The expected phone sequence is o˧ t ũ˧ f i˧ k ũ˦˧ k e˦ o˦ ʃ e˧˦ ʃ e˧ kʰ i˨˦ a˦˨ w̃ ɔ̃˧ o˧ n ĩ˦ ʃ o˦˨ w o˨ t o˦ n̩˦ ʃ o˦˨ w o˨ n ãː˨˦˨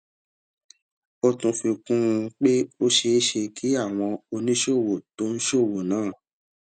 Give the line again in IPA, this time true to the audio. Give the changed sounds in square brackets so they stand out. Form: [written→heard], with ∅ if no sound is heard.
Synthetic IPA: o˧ t ũ˧ f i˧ k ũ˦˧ [k→k͡p] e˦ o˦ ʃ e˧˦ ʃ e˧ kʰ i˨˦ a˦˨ w̃ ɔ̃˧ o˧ n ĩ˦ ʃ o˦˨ w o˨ t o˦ n̩˦ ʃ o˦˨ w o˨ n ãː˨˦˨